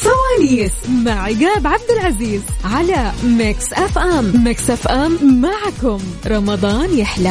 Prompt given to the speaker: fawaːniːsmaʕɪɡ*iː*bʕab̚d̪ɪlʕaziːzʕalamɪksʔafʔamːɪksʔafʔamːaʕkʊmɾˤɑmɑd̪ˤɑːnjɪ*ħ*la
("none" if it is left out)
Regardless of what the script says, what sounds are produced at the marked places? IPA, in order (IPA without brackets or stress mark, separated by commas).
aː, ħ